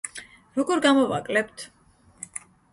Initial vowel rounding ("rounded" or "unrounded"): rounded